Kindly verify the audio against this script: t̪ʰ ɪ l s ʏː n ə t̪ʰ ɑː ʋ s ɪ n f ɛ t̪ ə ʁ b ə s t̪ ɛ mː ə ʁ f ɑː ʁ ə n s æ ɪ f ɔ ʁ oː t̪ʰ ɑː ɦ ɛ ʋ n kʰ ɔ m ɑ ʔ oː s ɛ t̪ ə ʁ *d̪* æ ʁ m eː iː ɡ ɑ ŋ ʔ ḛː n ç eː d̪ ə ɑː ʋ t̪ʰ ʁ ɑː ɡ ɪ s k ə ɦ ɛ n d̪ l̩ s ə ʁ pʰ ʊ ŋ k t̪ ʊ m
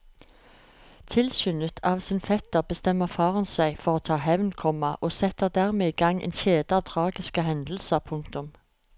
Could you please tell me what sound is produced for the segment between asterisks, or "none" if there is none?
d̪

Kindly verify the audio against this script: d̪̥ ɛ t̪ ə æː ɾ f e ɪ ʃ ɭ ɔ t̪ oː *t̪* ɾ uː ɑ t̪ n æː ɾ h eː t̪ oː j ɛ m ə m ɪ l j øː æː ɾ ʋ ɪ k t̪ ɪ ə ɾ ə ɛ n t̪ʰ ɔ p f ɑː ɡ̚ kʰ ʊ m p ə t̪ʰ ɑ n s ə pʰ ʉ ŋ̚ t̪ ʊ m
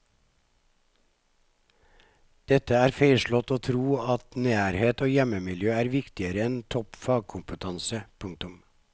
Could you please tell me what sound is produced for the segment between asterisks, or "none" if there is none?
t̪ʰ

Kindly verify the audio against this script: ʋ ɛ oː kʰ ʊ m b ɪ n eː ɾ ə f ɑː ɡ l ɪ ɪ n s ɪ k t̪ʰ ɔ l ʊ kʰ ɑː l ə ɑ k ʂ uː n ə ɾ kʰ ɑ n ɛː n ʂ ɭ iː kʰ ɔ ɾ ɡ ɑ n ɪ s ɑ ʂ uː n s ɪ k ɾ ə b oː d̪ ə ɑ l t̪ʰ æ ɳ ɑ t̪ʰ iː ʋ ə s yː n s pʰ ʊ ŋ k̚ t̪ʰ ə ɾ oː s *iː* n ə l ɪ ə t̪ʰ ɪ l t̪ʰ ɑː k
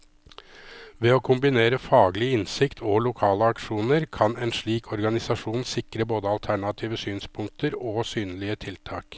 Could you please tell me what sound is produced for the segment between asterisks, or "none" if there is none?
yː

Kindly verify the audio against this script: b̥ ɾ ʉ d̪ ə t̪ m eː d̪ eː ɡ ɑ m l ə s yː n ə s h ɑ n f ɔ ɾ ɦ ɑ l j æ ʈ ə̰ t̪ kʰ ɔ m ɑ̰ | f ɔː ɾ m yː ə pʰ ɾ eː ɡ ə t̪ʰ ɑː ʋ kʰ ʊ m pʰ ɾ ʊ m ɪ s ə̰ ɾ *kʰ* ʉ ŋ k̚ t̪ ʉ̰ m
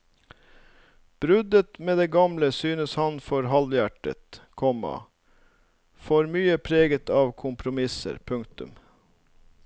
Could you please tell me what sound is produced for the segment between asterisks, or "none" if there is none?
pʰ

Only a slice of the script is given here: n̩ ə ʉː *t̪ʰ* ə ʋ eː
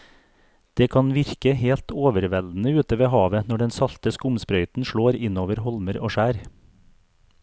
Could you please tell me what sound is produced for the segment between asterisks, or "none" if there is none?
t̪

